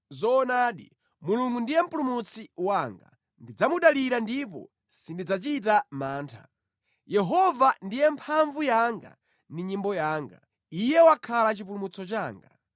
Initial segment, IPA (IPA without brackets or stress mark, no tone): z